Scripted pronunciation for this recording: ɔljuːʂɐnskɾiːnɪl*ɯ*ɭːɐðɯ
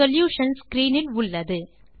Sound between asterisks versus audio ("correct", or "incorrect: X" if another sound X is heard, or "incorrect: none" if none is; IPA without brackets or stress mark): incorrect: ʊ